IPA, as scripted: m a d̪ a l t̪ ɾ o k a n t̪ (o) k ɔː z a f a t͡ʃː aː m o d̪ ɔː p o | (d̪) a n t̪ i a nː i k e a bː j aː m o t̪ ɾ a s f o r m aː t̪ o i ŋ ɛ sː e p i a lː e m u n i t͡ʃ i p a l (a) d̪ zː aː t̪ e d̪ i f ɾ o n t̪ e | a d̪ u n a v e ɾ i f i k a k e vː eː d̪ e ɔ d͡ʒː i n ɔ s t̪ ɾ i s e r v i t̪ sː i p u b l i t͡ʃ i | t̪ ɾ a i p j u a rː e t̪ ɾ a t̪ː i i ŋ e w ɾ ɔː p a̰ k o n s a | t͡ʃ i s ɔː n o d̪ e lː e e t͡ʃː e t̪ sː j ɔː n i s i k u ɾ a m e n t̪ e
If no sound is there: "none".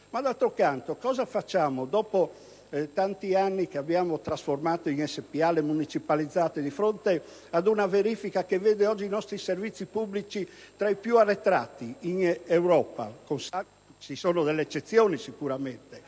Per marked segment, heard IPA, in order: o, t̪, i

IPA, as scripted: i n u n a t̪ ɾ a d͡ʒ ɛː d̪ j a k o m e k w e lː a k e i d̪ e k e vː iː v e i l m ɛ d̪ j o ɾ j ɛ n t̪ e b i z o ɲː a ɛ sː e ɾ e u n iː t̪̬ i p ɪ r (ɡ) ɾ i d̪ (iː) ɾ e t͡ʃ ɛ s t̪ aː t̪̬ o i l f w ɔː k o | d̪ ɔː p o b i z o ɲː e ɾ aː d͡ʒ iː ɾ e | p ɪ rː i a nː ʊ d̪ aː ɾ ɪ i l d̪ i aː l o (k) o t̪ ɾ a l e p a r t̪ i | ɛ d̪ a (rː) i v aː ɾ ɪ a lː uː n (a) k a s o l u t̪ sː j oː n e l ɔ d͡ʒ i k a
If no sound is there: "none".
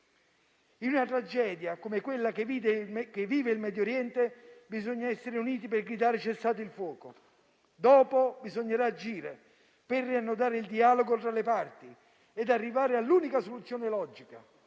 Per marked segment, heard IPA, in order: ɡ, aː, ɡ, rː, i

